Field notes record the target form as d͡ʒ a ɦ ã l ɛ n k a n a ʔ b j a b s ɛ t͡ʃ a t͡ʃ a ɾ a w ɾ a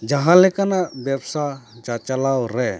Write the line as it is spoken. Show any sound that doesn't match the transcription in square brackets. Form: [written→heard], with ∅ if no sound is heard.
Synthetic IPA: d͡ʒ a ɦ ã l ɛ [n→∅] k a n a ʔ b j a b s [ɛ→a] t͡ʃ a t͡ʃ a [ɾ→l] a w ɾ [a→ɛ]